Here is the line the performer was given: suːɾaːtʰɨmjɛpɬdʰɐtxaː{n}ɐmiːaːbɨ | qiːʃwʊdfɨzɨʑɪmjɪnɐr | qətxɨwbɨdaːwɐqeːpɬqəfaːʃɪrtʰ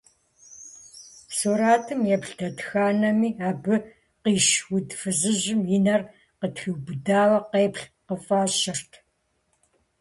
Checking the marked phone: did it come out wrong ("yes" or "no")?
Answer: no